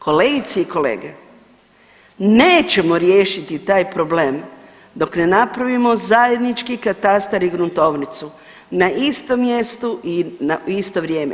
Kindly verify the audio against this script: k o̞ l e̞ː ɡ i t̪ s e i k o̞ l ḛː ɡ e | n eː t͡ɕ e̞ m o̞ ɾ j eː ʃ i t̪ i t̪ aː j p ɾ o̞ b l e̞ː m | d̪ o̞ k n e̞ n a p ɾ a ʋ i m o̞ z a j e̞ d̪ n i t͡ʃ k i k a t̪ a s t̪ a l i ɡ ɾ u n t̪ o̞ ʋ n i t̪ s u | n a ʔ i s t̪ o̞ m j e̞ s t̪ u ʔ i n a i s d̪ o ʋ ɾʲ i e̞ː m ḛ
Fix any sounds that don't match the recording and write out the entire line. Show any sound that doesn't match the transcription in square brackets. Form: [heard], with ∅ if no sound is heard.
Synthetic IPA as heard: k o̞ l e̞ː ɡ i t̪ s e i k o̞ l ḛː ɡ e | n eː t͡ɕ e̞ m o̞ ɾ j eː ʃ i t̪ i t̪ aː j p ɾ o̞ b l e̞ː m | d̪ o̞ k n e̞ n a p ɾ a ʋ i m o̞ z a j e̞ d̪ n i t͡ʃ k i k a t̪ a s t̪ a [ɾ] i ɡ ɾ u n t̪ o̞ ʋ n i t̪ s u | n a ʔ i s t̪ o̞ m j e̞ s t̪ u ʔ i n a i s [t̪] o ʋ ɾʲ [j] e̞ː m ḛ